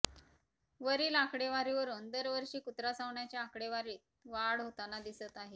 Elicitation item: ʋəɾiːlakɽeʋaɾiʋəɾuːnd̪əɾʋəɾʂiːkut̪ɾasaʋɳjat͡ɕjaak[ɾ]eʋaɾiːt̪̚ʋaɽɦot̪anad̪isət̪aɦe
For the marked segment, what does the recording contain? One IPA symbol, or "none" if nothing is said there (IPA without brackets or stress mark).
ɽ